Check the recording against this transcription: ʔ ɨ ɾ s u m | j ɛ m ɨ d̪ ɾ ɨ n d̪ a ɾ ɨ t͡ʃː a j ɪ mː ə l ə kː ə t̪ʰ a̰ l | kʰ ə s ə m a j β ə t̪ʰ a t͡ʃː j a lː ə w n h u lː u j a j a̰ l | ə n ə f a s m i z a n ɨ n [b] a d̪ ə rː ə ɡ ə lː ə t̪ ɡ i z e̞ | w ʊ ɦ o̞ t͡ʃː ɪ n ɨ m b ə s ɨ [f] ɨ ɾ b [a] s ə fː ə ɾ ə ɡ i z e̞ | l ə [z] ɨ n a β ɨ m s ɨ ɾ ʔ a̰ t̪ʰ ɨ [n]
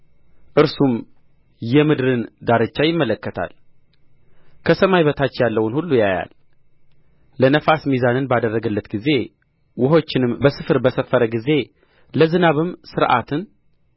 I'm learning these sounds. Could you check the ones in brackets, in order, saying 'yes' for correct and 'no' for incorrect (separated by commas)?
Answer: yes, yes, no, yes, yes